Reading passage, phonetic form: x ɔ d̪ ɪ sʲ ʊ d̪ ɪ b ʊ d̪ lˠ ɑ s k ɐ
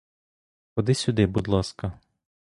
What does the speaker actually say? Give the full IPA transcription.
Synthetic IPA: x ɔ d̪ ɪ sʲ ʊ d̪ ɪ b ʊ d̪ lˠ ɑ s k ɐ